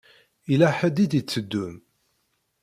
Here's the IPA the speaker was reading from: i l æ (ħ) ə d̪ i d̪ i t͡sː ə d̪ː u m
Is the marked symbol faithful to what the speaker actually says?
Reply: yes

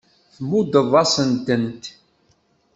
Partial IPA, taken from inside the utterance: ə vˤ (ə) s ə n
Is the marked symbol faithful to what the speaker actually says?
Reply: no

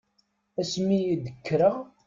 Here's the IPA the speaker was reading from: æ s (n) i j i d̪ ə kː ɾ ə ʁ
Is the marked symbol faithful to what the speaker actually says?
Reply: no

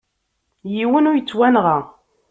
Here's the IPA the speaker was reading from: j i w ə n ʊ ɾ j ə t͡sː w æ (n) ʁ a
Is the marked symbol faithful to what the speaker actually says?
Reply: yes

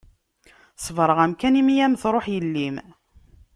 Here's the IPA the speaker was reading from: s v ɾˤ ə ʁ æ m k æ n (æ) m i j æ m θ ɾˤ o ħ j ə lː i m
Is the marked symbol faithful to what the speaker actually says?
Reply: no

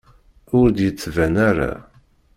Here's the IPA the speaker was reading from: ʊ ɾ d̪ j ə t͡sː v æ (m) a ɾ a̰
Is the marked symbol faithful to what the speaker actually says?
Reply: no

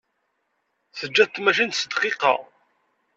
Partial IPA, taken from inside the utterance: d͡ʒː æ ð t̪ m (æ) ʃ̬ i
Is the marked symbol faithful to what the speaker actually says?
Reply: yes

